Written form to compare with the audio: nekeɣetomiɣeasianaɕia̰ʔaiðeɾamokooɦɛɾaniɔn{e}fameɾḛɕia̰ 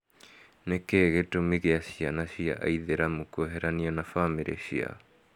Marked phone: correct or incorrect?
incorrect